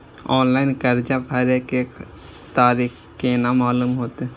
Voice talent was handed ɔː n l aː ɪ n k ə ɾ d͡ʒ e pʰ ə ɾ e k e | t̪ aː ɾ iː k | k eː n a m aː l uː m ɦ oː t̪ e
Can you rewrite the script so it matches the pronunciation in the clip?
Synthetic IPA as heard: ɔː n l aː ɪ n k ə ɾ d͡ʒ a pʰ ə ɾ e k e | t̪ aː ɾ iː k | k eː n a m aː l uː m ɦ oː t̪ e